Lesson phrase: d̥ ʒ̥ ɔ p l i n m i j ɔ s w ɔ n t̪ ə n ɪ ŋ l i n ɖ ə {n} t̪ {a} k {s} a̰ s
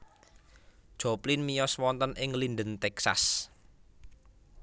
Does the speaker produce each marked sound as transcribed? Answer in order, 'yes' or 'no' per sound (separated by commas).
yes, no, yes